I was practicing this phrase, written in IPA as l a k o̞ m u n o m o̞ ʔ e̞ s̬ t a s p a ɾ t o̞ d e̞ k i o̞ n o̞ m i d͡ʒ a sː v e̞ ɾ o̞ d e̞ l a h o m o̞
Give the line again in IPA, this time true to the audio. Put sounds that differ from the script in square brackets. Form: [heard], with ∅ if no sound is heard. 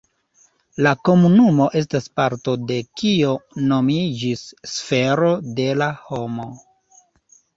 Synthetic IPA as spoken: l a k o̞ m u n [u] m o̞ ʔ e̞ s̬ t a s p a ɾ t o̞ d e̞ k i o̞ n o̞ m i d͡ʒ [i] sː [f] e̞ ɾ o̞ d e̞ l a h o m o̞